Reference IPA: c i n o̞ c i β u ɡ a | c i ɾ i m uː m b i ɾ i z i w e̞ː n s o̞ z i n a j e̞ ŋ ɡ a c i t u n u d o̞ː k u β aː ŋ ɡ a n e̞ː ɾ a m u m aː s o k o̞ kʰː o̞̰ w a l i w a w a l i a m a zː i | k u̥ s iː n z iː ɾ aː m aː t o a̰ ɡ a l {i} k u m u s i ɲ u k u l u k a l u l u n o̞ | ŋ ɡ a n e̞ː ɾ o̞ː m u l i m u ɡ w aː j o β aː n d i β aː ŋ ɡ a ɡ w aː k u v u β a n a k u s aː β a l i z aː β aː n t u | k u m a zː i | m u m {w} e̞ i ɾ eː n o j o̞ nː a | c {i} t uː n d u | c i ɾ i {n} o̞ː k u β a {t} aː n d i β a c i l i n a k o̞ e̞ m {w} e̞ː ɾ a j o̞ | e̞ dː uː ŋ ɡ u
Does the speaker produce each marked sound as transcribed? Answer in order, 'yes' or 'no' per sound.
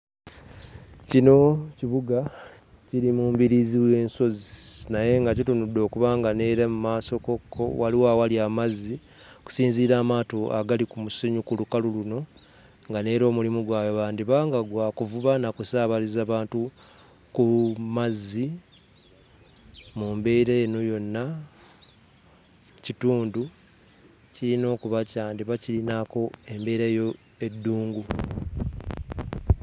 yes, no, yes, yes, no, no

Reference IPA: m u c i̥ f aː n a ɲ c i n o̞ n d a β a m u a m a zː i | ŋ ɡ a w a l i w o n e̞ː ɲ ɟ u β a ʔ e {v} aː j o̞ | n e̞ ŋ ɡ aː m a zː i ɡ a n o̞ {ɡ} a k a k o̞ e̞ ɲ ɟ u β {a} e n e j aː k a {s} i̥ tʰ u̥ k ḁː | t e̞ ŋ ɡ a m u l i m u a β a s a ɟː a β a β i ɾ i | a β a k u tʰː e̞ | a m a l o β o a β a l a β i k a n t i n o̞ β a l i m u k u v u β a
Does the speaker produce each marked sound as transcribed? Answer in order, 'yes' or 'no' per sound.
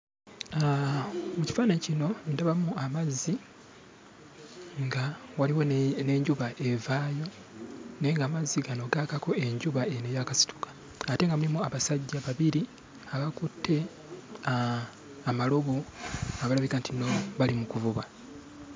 yes, yes, yes, yes

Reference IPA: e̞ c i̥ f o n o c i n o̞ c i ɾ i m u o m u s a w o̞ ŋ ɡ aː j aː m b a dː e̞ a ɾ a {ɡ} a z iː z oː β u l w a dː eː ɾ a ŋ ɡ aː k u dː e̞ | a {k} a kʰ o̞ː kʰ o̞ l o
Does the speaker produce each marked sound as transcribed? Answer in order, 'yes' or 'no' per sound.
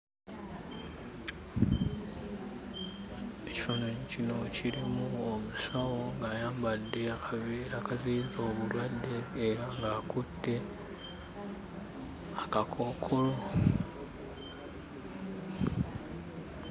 no, yes

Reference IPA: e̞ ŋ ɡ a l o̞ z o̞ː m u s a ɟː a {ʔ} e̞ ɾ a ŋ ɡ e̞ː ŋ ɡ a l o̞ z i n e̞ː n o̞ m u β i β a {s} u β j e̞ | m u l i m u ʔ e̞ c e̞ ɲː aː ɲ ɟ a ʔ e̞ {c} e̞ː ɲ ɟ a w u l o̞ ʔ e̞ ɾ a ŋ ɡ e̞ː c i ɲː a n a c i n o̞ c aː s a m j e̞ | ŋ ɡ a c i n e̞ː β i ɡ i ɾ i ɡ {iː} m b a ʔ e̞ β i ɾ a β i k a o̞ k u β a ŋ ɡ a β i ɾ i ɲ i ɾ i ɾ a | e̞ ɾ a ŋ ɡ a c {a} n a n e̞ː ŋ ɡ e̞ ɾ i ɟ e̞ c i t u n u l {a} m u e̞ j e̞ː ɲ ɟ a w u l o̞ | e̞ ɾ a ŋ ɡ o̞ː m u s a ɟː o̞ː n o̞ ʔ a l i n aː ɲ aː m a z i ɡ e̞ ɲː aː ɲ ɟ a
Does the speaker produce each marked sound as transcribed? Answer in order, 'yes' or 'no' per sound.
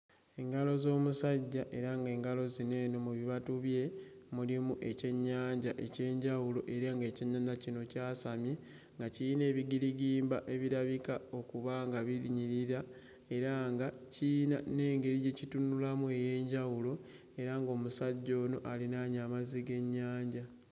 yes, no, yes, yes, no, yes

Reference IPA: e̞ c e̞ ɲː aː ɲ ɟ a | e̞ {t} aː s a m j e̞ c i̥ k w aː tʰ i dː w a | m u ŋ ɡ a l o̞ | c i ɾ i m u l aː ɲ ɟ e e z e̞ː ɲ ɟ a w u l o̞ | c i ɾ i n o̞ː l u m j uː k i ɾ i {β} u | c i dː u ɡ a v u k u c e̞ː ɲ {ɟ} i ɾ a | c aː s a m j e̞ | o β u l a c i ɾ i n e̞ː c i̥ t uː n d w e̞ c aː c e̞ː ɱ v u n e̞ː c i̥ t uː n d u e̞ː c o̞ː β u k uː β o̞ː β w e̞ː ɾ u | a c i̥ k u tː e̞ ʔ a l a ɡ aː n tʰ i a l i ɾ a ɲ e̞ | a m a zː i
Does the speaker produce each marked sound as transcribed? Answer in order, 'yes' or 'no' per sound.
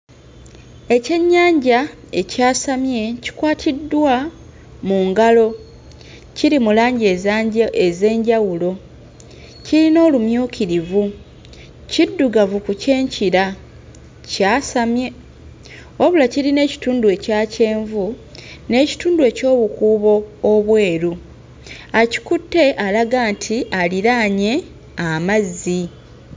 no, no, no

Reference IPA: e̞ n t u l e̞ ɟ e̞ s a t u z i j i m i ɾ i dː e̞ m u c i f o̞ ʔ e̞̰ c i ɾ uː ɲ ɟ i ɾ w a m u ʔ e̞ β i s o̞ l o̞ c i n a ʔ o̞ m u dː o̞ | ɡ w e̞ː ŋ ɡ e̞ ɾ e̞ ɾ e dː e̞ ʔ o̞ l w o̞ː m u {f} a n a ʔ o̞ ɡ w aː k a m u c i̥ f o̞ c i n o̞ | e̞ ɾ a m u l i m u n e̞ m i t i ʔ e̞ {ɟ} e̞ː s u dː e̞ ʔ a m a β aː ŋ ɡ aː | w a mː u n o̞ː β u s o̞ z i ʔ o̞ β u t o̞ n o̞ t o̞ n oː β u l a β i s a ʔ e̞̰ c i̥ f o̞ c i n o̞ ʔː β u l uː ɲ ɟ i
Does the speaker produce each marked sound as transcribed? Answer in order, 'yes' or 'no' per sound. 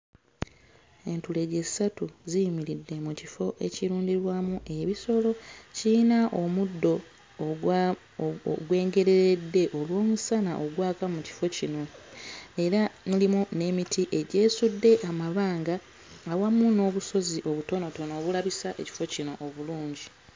no, yes

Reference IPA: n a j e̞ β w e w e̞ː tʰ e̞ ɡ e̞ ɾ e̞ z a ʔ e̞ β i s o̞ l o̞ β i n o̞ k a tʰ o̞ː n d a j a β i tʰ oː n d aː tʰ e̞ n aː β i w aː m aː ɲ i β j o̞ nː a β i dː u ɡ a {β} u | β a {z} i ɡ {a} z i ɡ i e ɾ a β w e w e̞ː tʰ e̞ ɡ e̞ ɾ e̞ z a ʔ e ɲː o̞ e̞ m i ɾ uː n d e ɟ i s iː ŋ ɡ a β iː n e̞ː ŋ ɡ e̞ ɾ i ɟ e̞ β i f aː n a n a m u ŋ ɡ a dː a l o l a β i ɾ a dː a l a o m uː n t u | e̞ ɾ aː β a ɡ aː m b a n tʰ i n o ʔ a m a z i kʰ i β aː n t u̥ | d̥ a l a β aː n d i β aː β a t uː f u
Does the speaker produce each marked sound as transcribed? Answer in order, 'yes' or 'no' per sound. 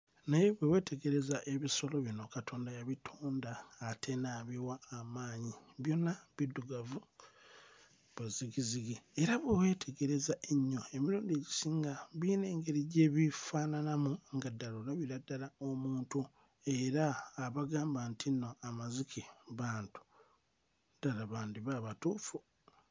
no, yes, no

